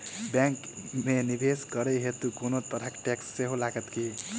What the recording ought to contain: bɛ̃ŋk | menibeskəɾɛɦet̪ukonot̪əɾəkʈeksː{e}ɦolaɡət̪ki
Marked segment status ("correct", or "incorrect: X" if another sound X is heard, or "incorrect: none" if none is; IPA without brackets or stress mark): correct